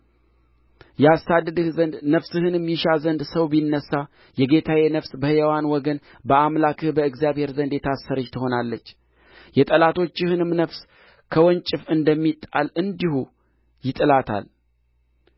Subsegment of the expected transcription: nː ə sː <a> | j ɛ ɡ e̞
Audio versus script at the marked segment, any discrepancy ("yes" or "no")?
no